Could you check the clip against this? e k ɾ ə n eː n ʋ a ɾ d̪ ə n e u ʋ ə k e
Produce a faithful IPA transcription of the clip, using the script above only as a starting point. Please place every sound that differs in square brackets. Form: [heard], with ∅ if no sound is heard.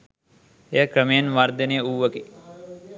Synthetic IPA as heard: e k ɾ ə [m] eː n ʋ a ɾ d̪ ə n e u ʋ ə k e